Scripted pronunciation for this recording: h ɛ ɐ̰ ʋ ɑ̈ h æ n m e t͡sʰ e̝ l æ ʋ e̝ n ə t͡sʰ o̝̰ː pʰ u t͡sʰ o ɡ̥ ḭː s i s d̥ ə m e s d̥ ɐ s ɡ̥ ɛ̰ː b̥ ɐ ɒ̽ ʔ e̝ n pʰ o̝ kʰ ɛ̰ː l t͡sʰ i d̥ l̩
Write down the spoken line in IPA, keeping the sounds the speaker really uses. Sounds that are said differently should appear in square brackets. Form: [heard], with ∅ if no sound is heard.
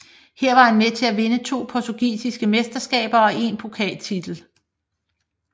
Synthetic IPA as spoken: h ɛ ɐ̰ ʋ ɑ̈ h æ n m e t͡sʰ e̝ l æ ʋ e̝ n ə t͡sʰ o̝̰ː pʰ [ɒ] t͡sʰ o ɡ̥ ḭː s i s [ɡ̥] ə m e s d̥ ɐ s ɡ̥ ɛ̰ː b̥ ɐ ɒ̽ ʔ e̝ n pʰ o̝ kʰ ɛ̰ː l t͡sʰ i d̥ l̩